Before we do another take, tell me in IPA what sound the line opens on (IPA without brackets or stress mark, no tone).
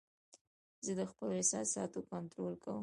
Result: z